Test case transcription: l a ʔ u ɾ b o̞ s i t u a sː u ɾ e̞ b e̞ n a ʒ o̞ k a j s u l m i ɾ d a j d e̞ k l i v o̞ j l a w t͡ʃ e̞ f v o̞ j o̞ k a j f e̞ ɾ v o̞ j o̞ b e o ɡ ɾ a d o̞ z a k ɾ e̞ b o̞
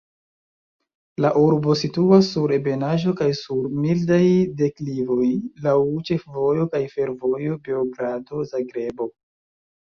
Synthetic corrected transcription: l a ʔ u ɾ b o̞ s i t u a sː u ɾ e̞ b e̞ n a ʒ o̞ k a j s u ɾ m i l d a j d e̞ k l i v o̞ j l a w t͡ʃ e̞ f v o̞ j o̞ k a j f e̞ ɾ v o̞ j o̞ b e o ɡ ɾ a d o̞ z a ɡ ɾ e̞ b o̞

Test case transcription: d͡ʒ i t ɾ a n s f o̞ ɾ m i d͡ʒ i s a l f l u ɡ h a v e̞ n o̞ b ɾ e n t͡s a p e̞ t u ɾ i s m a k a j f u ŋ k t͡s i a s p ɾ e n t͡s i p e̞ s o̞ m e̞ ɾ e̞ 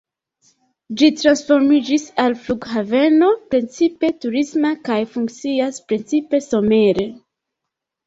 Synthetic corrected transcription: d͡ʒ i t ɾ a n s f o̞ ɾ m i d͡ʒ i s a l f l u ɡ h a v e̞ n o̞ p ɾ e n t͡s i p e̞ t u ɾ i s m a k a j f u ŋ k t͡s i a s p ɾ e n t͡s i p e̞ s o̞ m e̞ ɾ e̞

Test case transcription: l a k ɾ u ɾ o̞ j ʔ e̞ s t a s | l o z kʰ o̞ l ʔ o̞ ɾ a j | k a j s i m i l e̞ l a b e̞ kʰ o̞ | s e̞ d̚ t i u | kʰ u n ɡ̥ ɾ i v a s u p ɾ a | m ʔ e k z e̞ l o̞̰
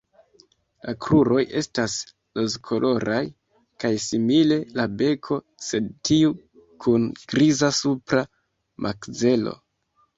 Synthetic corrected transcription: l a k ɾ u ɾ o̞ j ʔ e̞ s t a s | l o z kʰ o̞ l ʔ o̞ ɾ a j | k a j s i m i l e̞ l a b e̞ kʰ o̞ | s e̞ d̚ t i u | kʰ u n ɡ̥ ɾ i z a s u p ɾ a | m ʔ a k z e̞ l o̞̰

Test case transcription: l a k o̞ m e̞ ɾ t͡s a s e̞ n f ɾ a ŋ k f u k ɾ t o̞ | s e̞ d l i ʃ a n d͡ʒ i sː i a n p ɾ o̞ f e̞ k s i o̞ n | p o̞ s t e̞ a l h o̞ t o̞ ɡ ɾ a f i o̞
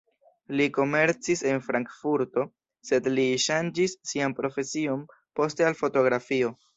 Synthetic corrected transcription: l i k o̞ m e̞ ɾ t͡s i s e̞ n f ɾ a ŋ k f u ɾ t o̞ | s e̞ d l i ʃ a n d͡ʒ i sː i a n p ɾ o̞ f e̞ s i o̞ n | p o̞ s t e̞ a l f o̞ t o̞ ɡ ɾ a f i o̞

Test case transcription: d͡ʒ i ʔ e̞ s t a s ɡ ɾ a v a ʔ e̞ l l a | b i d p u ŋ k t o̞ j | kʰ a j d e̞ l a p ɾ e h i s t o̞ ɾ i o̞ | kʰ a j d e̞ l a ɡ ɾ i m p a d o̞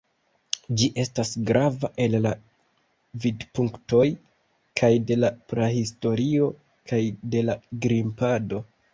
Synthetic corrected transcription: d͡ʒ i ʔ e̞ s t a s ɡ ɾ a v a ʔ e̞ l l a | v i d p u ŋ k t o̞ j | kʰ a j d e̞ l a p ɾ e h i s t o̞ ɾ i o̞ | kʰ a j d e̞ l a ɡ ɾ i m p a d o̞

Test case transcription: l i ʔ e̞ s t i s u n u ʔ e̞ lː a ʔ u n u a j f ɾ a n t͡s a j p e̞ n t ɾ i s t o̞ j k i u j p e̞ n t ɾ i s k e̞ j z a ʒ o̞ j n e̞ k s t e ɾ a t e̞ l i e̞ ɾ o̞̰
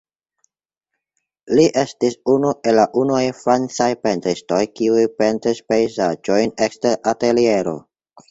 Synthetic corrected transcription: l i ʔ e̞ s t i s u n u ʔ e̞ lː a ʔ u n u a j f ɾ a n t͡s a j p e̞ n t ɾ i s t o̞ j k i u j p e̞ n t ɾ i s p e̞ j z a d͡ʒ o̞ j n e̞ k s t e ɾ a t e̞ l i e̞ ɾ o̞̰

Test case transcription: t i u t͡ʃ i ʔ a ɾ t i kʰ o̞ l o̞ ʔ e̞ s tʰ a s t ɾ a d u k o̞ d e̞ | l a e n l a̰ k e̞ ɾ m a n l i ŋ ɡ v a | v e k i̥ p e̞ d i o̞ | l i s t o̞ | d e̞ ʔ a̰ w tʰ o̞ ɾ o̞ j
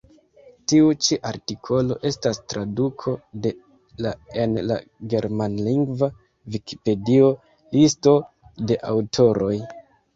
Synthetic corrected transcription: t i u t͡ʃ i ʔ a ɾ t i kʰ o̞ l o̞ ʔ e̞ s t a s t ɾ a d u kʰ o̞ d e̞ | l a e n l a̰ ɡ e̞ ɾ m a n l i ŋ ɡ v a | v i k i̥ p e̞ d i o̞ | l i s t o̞ | d e̞ ʔ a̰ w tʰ o̞ ɾ o̞ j

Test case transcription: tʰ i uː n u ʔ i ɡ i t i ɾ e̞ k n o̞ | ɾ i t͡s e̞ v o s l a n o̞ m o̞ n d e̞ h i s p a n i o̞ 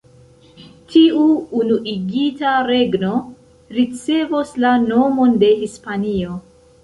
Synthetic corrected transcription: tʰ i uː n u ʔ i ɡ i t a ɾ e̞ ɡ n o̞ | ɾ i t͡s e̞ v o s l a n o̞ m o̞ n d e̞ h i s p a n i o̞

